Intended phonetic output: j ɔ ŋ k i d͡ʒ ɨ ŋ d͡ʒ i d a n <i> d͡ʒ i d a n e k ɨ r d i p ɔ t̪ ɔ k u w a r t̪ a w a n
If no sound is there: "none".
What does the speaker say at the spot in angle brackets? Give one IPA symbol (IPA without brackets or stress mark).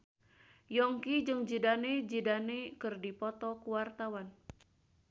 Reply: e